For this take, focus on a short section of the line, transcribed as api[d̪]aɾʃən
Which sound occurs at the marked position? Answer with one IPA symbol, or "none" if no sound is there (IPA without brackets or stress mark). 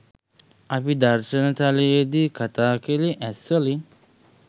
d̪